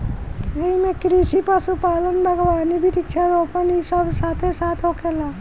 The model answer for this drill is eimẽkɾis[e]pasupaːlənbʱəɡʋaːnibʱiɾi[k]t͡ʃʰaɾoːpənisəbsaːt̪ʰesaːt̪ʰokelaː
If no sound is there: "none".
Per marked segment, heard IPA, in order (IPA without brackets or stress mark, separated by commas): i, k